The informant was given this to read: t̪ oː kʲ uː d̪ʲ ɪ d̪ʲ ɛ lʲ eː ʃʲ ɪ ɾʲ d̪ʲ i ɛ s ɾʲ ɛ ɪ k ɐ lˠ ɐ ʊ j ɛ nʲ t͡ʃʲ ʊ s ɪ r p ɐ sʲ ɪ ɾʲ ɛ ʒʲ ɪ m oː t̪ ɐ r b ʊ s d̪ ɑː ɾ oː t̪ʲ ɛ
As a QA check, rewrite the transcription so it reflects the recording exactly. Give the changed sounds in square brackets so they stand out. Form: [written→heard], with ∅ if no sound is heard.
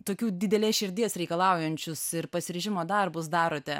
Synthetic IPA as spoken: t̪ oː kʲ uː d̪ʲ ɪ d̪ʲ ɛ lʲ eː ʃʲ ɪ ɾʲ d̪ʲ i ɛ s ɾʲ ɛ ɪ k ɐ lˠ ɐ ʊ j ɛ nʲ t͡ʃʲ ʊ s ɪ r p ɐ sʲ ɪ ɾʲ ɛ ʒʲ ɪ m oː [t̪→d̪] ɐ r b ʊ s d̪ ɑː ɾ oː t̪ʲ ɛ